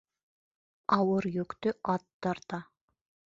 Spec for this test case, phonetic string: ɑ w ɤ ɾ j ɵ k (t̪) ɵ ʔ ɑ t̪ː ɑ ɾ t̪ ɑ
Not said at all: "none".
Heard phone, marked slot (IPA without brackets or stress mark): t̪